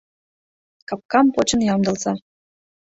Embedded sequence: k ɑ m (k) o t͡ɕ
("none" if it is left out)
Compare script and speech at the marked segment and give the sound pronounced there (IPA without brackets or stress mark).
p